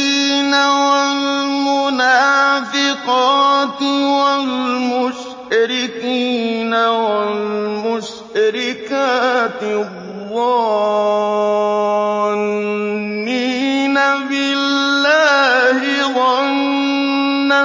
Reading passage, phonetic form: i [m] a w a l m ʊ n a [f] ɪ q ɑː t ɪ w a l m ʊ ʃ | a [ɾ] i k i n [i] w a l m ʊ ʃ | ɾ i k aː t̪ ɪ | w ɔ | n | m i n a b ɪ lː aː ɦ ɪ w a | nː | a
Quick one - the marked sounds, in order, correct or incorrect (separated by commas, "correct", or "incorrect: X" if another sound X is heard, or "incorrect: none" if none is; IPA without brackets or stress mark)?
incorrect: n, correct, correct, incorrect: a